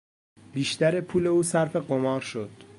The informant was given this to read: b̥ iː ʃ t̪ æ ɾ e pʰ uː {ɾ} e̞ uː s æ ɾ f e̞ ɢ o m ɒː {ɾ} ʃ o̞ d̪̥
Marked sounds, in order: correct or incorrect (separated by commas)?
incorrect, correct